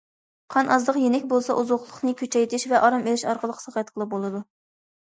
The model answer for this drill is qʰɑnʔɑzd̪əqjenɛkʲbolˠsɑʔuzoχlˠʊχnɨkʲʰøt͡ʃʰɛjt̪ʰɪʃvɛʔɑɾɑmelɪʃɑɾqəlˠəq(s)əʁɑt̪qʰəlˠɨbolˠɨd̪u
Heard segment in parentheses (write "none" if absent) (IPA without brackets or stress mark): s